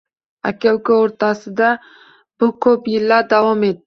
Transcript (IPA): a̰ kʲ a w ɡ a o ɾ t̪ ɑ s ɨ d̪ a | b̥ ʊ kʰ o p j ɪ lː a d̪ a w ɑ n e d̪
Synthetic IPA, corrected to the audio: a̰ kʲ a w k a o ɾ t̪ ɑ s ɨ d̪ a | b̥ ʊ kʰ o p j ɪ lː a d̪ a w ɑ m e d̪